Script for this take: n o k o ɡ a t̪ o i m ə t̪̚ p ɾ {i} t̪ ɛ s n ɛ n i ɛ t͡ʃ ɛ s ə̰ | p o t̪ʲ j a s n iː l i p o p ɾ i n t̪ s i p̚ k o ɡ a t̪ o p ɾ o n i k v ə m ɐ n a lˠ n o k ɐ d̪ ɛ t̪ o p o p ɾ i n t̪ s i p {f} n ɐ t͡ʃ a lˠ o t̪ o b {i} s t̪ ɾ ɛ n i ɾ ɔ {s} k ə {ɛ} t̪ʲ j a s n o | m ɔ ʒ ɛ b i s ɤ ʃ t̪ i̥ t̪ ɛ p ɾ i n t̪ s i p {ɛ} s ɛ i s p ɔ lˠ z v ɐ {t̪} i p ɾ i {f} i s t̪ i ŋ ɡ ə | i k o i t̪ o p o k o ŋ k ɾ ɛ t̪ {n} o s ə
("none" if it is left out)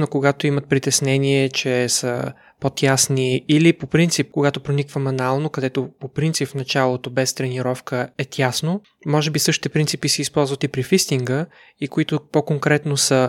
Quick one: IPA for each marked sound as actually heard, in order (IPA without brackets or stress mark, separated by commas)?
i, f, ɛ, f, ɛ, i, t̪, f, n